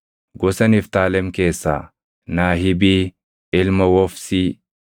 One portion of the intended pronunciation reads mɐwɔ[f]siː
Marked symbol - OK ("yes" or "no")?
yes